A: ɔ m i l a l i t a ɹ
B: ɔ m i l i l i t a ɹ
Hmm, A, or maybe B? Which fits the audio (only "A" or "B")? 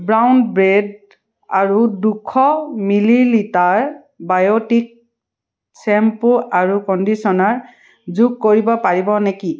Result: B